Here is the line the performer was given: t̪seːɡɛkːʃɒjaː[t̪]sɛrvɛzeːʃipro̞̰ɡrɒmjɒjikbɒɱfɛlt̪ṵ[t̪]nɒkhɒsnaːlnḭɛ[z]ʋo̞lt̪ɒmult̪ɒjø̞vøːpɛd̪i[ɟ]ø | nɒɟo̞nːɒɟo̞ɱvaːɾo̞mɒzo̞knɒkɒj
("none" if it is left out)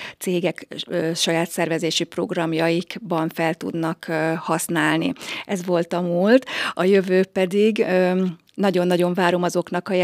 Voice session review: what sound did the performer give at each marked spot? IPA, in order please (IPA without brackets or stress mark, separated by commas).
t̪, d̪, z, ɡ